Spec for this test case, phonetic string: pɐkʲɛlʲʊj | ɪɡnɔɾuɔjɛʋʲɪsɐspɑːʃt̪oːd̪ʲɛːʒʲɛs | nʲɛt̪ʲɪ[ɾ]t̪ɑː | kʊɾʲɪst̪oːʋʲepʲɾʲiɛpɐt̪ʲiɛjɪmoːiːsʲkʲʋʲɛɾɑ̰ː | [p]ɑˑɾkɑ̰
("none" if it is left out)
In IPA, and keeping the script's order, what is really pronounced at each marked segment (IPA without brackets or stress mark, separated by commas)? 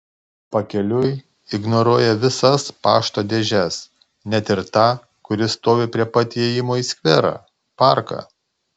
ɾ, p